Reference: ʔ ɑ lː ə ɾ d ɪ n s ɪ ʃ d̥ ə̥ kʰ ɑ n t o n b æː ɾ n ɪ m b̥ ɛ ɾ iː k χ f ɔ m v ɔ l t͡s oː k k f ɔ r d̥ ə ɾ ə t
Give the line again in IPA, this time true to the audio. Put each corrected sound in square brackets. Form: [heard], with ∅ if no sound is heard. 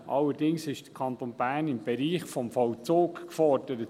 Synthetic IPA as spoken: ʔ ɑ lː ə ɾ d ɪ [ŋ] s ɪ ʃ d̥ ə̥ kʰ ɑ n t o n b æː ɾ n ɪ m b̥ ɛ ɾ iː [∅] χ f ɔ m [f] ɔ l t͡s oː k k f ɔ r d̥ ə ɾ ə t